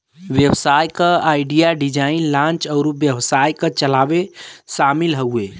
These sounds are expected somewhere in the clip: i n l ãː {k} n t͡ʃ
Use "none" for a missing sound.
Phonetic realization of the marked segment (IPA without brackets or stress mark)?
none